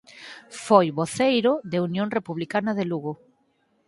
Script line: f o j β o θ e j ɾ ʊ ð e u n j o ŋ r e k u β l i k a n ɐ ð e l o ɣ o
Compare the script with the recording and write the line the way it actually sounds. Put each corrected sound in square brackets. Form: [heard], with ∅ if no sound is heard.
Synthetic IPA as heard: f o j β o θ e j ɾ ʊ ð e u n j o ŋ r e [p] u β l i k a n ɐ ð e l [u] ɣ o